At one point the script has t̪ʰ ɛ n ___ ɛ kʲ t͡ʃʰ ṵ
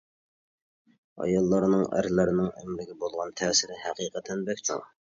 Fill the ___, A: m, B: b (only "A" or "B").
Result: B